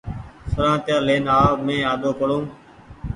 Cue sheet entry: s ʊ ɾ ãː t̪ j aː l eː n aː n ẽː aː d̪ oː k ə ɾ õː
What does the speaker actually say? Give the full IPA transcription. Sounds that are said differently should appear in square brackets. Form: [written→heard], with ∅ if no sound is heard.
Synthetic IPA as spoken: s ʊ ɾ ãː t̪ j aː l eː n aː [n→m] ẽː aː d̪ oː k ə [ɾ→ɽ] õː